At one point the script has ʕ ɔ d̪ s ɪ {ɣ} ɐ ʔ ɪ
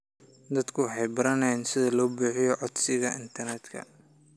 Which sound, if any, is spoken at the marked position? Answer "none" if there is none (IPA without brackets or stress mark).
ɣ